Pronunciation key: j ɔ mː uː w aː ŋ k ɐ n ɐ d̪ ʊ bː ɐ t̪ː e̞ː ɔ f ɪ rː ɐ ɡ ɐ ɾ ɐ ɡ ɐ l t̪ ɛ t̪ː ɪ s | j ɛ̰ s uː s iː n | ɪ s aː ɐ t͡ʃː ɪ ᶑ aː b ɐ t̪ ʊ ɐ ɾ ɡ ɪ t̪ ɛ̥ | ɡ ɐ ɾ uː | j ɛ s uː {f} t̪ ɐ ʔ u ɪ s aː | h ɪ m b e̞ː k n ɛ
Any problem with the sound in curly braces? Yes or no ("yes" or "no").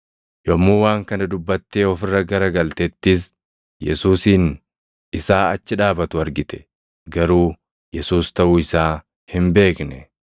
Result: yes